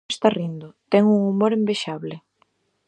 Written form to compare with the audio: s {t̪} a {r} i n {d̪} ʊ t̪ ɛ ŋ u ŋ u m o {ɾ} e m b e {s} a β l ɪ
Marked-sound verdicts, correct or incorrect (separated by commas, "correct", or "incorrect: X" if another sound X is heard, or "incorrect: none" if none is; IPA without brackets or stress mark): correct, correct, correct, correct, incorrect: ʃ